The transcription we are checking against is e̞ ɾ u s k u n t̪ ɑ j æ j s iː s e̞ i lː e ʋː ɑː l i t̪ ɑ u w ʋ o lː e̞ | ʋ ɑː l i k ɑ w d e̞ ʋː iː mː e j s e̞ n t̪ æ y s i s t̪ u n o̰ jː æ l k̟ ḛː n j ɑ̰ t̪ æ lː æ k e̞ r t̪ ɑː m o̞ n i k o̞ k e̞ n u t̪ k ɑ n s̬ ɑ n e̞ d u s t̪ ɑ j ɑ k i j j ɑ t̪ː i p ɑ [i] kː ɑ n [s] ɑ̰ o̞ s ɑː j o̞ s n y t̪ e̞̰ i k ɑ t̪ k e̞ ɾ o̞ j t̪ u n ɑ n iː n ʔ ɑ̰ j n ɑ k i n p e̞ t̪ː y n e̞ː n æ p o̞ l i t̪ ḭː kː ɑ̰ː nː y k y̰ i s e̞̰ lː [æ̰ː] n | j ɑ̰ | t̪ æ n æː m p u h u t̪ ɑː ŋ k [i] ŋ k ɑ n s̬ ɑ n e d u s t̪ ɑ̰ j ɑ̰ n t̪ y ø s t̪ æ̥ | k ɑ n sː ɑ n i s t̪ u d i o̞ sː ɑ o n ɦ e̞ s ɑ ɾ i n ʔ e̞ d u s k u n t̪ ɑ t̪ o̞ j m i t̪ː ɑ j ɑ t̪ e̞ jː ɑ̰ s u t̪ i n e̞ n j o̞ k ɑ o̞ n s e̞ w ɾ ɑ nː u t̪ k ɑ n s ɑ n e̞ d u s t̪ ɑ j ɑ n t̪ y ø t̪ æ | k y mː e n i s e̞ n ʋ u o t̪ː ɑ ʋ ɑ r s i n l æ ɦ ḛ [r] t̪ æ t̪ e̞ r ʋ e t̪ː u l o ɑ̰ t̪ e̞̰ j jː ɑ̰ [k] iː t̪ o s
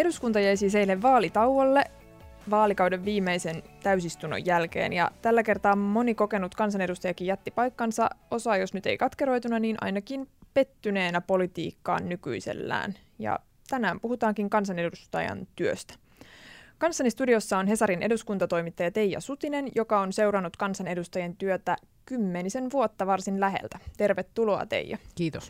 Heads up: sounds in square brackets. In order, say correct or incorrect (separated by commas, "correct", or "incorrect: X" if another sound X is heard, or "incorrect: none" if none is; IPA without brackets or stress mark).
incorrect: j, correct, correct, correct, incorrect: l, correct